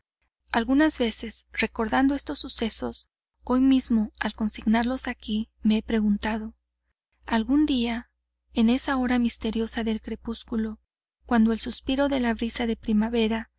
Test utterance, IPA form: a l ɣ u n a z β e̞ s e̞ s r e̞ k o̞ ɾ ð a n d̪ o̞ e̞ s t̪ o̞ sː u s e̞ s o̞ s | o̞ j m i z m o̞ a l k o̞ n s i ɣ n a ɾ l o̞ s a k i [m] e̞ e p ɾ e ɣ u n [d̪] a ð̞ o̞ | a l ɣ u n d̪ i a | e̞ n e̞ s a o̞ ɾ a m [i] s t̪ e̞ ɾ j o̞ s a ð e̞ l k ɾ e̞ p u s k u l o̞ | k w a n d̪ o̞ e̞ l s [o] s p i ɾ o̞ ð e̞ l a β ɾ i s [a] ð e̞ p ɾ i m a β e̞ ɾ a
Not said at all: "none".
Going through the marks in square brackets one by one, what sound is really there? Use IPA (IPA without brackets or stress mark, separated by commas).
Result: m, t̪, i, u, a